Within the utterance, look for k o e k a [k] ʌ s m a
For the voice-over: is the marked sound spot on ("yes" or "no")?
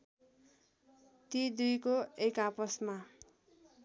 no